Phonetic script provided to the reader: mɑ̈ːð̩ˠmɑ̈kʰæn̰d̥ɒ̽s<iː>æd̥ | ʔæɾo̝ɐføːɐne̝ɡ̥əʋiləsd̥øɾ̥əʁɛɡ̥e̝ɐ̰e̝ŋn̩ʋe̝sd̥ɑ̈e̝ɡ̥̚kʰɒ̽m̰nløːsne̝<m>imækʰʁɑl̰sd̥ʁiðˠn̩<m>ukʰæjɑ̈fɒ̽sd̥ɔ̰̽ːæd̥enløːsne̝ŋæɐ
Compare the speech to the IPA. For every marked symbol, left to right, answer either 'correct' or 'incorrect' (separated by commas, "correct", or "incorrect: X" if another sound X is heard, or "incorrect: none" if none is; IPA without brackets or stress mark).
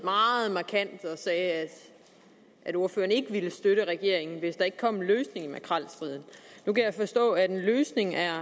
incorrect: ɛː, incorrect: ŋ, incorrect: n